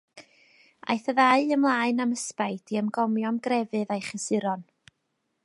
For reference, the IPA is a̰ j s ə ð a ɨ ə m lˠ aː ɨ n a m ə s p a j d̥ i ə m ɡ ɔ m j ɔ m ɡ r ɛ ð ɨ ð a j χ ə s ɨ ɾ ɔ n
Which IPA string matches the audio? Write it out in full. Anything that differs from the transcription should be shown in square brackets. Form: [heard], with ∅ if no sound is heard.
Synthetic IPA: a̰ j [θ] ə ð a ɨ ə m lˠ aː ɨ n a m ə s p a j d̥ i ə m ɡ ɔ m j ɔ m ɡ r ɛ [v] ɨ ð a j χ ə s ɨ ɾ ɔ n